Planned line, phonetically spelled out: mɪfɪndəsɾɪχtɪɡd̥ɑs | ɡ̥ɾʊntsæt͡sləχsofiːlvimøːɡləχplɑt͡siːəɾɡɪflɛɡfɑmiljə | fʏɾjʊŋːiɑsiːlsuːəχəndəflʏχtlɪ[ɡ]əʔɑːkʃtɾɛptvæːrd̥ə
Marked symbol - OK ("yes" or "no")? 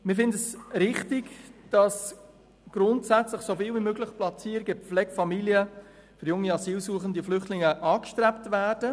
no